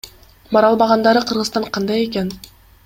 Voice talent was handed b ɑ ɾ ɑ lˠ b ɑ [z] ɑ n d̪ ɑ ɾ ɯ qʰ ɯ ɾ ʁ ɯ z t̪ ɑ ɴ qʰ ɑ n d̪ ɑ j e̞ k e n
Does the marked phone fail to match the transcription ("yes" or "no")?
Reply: yes